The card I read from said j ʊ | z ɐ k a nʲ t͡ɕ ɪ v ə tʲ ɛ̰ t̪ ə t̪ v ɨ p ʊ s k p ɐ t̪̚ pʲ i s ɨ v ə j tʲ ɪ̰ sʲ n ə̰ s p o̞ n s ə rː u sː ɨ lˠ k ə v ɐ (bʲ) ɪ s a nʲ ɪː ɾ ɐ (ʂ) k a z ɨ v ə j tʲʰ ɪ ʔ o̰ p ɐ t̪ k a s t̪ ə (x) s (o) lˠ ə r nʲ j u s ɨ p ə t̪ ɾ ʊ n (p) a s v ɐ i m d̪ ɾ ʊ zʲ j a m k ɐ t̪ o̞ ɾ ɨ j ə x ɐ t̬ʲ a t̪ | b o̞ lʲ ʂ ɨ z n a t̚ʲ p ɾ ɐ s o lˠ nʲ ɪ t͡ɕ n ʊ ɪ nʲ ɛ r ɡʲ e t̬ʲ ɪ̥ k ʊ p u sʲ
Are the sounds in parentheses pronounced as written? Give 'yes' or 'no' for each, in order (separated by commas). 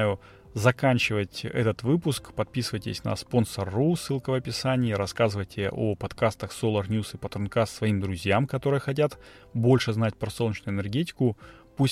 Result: no, no, yes, yes, no